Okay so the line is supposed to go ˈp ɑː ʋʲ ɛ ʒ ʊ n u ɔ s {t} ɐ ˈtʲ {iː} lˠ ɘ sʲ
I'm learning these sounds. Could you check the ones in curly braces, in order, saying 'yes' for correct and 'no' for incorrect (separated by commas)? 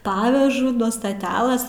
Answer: yes, no